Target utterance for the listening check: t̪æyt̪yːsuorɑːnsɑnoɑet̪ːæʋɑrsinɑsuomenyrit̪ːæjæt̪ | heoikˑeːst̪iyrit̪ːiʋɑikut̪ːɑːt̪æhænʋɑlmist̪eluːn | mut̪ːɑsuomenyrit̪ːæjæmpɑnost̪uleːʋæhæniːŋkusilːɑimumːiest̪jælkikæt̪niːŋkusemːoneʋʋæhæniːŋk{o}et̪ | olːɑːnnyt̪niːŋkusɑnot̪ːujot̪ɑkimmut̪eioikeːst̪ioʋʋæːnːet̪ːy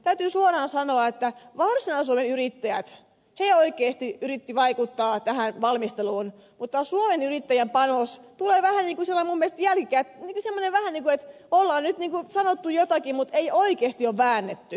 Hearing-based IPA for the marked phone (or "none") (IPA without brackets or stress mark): u